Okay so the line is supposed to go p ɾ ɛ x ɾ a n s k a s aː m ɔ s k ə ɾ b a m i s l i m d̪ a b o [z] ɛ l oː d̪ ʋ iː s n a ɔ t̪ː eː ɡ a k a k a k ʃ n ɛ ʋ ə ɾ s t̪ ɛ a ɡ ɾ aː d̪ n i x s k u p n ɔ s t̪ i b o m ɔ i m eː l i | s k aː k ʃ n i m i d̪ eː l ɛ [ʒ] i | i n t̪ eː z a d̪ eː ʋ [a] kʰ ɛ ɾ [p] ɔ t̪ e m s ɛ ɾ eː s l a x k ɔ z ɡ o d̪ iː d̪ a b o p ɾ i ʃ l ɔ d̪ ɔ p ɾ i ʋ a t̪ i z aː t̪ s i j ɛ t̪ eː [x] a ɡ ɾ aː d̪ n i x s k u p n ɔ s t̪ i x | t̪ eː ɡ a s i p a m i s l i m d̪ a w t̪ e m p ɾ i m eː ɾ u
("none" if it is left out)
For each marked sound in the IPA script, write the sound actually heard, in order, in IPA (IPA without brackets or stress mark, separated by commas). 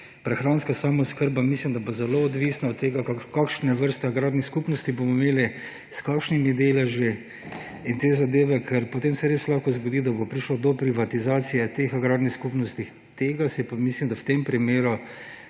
z, ʒ, ɛ, p, x